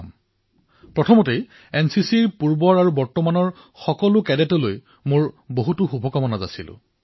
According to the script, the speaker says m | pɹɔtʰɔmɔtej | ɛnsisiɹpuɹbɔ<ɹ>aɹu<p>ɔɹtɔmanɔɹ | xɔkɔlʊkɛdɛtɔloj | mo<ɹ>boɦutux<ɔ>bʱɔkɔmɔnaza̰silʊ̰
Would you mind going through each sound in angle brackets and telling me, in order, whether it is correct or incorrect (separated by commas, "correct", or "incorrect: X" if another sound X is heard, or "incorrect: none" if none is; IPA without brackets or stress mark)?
correct, incorrect: b, correct, incorrect: u